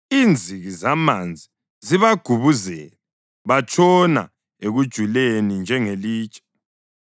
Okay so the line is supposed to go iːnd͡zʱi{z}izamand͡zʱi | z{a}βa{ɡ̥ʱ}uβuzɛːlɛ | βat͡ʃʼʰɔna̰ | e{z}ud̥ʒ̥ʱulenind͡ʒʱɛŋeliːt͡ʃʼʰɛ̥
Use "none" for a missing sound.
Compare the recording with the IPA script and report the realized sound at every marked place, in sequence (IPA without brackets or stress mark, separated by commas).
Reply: ɣ, i, ɡ̥ʱ, ɣ